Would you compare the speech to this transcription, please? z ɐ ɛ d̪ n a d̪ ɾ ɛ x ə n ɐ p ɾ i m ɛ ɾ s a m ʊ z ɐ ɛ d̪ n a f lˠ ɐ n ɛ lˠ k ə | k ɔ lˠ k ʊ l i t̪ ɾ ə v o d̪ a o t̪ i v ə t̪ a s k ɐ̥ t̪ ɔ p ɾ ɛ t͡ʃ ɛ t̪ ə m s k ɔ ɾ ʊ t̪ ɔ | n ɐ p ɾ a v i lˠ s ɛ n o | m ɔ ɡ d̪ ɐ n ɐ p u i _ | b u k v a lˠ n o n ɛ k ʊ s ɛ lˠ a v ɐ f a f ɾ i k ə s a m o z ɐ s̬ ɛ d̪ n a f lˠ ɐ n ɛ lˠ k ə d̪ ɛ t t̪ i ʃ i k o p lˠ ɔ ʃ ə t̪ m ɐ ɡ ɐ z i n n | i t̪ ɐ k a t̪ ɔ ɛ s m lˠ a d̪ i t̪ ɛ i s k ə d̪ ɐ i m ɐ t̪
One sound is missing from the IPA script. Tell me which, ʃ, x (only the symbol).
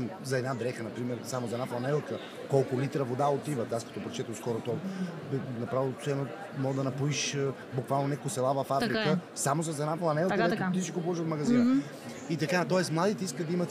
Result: ʃ